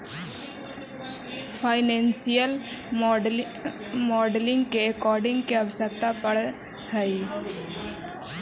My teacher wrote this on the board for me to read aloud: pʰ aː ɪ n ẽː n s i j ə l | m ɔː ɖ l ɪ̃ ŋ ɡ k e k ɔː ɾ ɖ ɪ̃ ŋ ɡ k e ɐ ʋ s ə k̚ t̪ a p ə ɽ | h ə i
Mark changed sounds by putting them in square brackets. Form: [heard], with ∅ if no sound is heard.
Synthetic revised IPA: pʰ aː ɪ n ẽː n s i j ə l | m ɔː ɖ l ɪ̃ ŋ ɡ k e k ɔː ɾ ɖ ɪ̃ ŋ ɡ k e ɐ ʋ s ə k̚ t̪ a p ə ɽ | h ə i

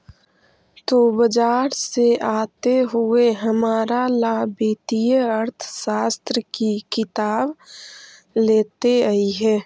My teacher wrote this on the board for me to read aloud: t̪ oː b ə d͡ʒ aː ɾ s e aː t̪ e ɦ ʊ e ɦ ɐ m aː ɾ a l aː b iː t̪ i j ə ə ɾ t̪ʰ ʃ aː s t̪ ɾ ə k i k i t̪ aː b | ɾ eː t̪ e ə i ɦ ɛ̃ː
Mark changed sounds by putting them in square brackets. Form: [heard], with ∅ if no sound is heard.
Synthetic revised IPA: t̪ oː b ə d͡ʒ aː ɾ s e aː t̪ e ɦ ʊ e ɦ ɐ m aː ɾ a l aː b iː t̪ i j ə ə ɾ t̪ʰ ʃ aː s t̪ ɾ ə k i k [ɪ] t̪ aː b | [l] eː t̪ e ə i ɦ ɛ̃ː

